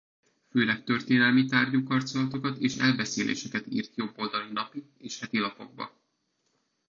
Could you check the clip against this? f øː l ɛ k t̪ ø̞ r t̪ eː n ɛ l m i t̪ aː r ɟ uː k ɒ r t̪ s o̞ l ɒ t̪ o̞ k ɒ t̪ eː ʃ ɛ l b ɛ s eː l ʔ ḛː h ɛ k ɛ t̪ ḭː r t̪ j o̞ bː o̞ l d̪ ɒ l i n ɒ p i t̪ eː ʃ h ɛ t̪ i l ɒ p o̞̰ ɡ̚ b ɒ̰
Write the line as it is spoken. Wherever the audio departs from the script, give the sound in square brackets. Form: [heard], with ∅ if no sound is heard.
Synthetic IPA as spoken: f øː l ɛ k t̪ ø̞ r t̪ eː n ɛ l m i t̪ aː r ɟ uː k ɒ r t̪ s o̞ l ɒ t̪ o̞ k ɒ t̪ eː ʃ ɛ l b ɛ s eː l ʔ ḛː [ʃ] ɛ k ɛ t̪ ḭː r t̪ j o̞ bː o̞ l d̪ ɒ l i n ɒ p i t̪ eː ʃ h ɛ t̪ i l ɒ p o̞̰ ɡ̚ b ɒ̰